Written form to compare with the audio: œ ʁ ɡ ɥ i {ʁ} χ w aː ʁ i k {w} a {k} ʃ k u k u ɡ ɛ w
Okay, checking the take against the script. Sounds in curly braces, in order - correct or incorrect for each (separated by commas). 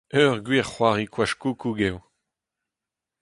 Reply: correct, correct, incorrect